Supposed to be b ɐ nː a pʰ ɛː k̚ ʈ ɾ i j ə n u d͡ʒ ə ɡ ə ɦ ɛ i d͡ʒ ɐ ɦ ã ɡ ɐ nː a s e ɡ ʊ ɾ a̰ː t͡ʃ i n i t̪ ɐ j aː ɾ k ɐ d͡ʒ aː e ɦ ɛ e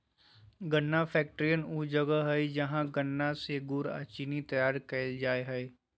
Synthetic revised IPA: ɡ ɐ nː a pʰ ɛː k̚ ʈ ɾ i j ə n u d͡ʒ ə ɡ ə ɦ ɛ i d͡ʒ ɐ ɦ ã ɡ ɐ nː a s e ɡ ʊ ɾ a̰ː t͡ʃ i n i t̪ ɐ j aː ɾ k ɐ d͡ʒ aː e ɦ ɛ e